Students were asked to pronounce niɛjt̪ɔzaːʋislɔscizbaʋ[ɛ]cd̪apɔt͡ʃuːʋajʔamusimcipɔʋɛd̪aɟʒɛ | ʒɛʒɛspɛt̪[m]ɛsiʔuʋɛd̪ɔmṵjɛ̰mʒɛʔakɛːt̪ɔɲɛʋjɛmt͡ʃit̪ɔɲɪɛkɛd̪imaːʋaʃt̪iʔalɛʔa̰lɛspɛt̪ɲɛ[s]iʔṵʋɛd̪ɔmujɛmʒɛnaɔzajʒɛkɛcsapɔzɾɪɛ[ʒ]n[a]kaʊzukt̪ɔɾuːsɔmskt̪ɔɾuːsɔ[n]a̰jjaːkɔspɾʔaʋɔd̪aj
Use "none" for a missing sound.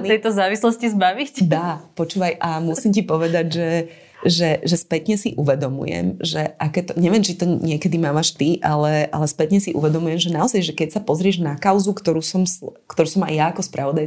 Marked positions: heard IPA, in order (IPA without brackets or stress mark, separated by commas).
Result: i, ɲ, s, ʒ, a, m